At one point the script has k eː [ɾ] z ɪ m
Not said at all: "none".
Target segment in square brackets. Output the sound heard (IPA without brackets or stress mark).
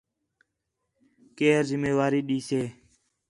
ɾ